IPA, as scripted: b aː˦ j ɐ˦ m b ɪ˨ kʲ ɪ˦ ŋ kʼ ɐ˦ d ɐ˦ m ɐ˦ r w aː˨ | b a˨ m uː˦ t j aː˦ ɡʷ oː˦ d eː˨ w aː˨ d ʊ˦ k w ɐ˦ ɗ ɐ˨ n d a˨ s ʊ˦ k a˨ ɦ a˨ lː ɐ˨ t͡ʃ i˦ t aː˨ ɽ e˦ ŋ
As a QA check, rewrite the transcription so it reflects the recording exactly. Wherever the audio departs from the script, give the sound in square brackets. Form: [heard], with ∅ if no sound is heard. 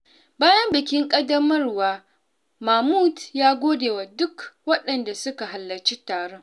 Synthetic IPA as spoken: b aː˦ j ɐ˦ m b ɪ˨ kʲ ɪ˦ ŋ kʼ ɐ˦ d ɐ˦ m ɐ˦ r w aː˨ | [m] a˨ m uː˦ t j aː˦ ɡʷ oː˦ d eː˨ w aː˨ d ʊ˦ k w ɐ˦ ɗ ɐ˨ n d a˨ s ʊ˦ k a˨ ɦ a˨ lː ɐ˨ t͡ʃ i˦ t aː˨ ɽ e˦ ŋ

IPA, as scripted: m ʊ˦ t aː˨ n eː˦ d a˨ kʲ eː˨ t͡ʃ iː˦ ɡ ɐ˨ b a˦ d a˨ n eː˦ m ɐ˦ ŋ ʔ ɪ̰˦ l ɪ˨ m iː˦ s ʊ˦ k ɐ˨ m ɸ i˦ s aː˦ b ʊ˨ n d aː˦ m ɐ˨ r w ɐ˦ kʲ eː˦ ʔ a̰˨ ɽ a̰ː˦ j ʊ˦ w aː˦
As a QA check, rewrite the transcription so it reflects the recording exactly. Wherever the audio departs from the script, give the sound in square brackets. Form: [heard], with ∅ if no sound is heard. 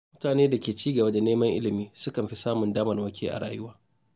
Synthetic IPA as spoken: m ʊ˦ t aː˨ n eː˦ d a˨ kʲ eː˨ t͡ʃ iː˦ ɡ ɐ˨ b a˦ d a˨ n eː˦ m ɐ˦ ŋ ʔ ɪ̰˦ l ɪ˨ m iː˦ s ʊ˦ k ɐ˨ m ɸ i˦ s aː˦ [m] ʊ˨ n d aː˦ m ɐ˨ r w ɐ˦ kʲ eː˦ ʔ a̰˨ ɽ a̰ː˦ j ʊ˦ w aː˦

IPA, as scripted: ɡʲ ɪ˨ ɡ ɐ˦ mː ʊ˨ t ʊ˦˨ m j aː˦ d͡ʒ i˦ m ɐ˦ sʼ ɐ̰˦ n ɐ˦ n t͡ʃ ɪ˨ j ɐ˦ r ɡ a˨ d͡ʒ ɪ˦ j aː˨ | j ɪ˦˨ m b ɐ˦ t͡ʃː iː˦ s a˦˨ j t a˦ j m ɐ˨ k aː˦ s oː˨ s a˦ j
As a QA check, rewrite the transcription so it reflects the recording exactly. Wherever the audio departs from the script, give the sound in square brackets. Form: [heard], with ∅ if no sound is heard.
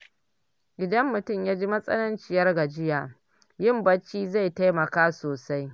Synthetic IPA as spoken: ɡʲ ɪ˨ [d] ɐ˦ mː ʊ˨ t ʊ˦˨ m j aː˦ d͡ʒ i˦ m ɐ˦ sʼ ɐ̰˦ n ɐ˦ n t͡ʃ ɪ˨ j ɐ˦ r ɡ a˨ d͡ʒ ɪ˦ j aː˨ | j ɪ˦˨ m b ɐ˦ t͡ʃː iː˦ [z] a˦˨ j t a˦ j m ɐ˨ k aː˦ s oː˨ s a˦ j

